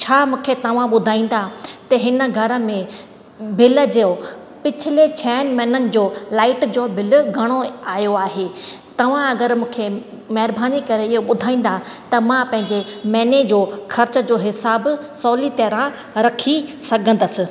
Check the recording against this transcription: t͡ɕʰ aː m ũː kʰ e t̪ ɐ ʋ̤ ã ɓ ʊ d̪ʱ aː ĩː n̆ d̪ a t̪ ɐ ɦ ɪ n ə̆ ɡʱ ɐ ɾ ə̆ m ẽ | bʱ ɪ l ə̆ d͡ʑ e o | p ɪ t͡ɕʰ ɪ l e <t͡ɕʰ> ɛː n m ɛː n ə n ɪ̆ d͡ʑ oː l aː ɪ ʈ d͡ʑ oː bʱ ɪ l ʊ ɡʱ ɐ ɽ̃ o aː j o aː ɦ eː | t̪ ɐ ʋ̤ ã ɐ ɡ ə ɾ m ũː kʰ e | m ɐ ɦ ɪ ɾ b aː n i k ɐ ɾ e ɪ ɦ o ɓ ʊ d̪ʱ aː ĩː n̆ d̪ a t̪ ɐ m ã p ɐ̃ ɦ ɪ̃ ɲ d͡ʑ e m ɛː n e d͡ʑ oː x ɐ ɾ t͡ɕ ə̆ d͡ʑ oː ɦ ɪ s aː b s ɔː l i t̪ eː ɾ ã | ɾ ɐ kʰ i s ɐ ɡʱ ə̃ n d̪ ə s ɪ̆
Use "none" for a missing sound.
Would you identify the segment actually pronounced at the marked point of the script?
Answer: t͡ɕʰ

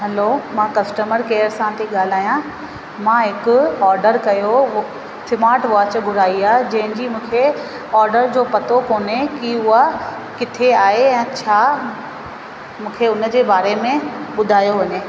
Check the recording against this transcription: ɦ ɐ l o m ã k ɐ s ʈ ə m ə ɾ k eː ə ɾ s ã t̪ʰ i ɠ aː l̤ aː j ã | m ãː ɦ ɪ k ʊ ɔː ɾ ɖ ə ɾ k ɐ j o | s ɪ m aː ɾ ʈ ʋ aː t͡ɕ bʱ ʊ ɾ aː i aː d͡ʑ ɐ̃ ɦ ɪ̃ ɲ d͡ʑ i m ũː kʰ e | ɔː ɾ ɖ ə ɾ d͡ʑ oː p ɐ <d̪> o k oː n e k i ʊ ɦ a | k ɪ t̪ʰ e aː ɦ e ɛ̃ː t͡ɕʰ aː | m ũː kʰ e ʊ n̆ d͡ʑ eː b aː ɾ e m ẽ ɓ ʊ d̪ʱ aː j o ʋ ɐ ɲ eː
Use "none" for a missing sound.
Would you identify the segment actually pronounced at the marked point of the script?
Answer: t̪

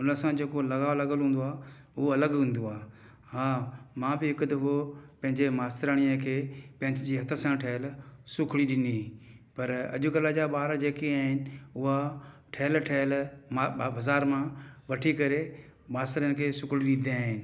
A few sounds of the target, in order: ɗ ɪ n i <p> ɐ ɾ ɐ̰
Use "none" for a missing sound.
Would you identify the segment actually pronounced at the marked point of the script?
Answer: p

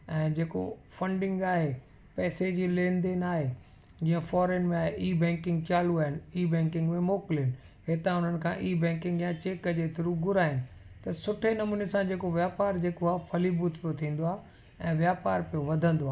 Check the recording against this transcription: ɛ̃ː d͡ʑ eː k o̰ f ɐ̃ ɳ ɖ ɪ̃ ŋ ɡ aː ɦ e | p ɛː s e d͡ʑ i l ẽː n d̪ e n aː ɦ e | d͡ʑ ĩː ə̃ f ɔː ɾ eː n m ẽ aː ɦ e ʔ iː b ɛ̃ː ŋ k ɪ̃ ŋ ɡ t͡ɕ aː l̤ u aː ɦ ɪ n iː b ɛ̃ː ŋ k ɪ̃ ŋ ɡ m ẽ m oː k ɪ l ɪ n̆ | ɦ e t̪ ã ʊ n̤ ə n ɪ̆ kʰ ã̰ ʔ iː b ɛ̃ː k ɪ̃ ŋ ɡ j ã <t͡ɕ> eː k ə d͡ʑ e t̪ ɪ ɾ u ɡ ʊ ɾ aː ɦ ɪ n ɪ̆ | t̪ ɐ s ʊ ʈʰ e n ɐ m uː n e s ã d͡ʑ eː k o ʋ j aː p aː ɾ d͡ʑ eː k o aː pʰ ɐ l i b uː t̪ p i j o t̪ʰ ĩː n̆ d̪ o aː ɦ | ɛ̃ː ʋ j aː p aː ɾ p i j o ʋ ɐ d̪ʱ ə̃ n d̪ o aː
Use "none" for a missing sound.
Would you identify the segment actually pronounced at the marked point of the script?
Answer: t͡ɕ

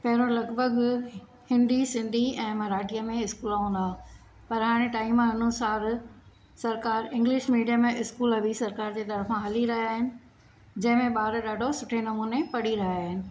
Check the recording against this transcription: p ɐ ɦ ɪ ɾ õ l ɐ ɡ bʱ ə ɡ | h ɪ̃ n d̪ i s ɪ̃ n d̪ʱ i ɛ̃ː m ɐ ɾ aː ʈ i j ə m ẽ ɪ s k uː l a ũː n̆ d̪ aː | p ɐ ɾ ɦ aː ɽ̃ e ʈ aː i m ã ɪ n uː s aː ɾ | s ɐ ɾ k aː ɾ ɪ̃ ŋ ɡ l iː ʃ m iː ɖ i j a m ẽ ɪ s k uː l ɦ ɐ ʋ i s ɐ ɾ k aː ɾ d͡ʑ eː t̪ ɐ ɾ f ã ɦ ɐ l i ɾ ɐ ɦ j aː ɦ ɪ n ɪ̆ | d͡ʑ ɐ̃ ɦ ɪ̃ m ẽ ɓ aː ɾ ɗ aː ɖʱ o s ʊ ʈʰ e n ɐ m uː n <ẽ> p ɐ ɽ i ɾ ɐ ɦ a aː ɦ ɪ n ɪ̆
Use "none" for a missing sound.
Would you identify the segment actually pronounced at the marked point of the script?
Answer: e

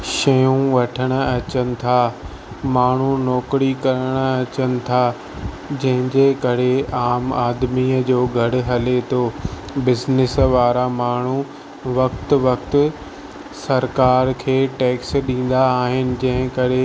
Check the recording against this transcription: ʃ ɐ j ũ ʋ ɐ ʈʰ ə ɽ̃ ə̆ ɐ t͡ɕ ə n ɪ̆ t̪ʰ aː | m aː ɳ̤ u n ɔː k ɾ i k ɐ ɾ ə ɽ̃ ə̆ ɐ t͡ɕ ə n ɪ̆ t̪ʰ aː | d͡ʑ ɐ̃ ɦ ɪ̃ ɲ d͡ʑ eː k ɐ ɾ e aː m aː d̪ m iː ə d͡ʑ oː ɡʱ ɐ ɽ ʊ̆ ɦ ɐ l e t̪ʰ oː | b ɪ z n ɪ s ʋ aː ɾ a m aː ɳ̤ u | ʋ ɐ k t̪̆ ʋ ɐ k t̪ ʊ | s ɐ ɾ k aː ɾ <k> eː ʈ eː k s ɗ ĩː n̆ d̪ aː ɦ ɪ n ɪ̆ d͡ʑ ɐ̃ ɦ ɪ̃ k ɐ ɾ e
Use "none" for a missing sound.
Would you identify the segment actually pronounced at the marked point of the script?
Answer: kʰ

